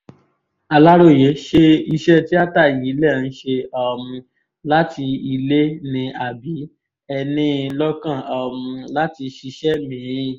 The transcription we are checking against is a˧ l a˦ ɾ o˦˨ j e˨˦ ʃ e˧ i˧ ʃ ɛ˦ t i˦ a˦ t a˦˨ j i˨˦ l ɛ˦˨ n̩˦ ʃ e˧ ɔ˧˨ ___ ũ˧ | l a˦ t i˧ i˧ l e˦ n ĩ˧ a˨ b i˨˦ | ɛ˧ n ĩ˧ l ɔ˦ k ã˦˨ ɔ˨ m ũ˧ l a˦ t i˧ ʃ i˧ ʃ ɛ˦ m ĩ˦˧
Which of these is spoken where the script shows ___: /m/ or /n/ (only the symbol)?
m